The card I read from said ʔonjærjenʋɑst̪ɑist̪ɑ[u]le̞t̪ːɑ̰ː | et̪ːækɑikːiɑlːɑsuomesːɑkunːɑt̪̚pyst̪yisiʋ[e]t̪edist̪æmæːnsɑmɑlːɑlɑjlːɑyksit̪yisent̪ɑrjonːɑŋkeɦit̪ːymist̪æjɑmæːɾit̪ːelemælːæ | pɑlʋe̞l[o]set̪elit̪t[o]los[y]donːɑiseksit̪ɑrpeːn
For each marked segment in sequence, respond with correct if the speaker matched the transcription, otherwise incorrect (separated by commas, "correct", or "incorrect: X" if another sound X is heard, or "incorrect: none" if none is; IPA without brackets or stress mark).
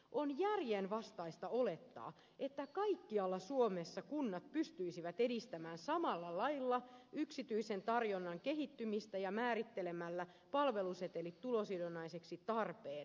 incorrect: o, incorrect: æ, incorrect: u, incorrect: u, incorrect: i